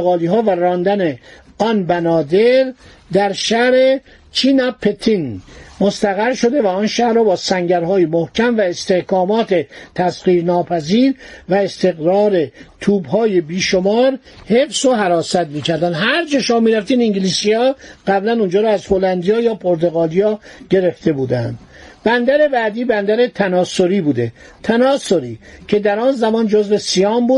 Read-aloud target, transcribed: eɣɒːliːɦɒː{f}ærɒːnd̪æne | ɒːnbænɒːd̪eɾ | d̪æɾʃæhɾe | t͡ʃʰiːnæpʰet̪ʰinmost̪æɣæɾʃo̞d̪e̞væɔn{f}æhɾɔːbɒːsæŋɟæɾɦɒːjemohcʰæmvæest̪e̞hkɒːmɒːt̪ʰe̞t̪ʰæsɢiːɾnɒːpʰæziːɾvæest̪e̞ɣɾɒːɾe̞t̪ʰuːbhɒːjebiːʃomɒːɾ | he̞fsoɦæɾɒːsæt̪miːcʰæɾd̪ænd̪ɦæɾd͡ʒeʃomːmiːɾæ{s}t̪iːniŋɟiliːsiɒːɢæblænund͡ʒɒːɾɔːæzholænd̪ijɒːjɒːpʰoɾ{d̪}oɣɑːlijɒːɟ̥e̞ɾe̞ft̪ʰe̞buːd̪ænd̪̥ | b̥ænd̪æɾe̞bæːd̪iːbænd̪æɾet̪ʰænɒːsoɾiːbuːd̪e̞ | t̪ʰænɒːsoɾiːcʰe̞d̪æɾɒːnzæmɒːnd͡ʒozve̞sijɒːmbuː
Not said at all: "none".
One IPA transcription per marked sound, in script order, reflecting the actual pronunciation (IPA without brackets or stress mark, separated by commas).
v, ʃ, f, t̪